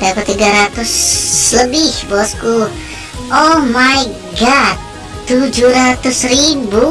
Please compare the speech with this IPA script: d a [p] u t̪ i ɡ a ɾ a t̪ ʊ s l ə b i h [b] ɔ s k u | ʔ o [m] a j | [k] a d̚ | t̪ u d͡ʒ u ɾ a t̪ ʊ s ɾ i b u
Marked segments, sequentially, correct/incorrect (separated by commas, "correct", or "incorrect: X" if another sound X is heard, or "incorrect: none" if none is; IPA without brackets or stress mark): incorrect: k, correct, correct, incorrect: ɡ